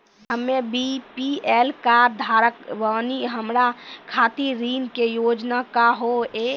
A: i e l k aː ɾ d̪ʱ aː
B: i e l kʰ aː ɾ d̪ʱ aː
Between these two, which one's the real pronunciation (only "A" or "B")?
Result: A